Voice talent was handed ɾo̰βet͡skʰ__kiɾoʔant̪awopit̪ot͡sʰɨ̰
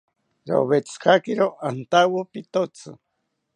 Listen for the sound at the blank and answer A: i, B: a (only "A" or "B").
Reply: B